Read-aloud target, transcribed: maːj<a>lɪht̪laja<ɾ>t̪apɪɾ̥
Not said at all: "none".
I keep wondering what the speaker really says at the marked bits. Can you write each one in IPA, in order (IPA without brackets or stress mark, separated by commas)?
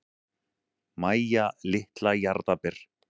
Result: a, ɾ